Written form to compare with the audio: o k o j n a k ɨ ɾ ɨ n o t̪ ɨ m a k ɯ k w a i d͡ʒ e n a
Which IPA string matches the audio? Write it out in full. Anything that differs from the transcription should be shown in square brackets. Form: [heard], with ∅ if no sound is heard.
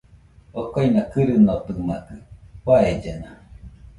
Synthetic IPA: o k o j n a k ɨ ɾ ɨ n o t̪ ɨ m a k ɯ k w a [e] d͡ʒ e n a